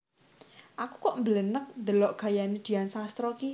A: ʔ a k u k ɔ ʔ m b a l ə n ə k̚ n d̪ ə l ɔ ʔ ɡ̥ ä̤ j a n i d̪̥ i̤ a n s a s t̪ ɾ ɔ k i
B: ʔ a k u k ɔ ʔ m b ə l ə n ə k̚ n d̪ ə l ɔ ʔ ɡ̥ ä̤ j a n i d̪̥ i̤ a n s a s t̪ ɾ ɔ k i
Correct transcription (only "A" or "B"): B